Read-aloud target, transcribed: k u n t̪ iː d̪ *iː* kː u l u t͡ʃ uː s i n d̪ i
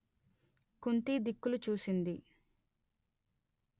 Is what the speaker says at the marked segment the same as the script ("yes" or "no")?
no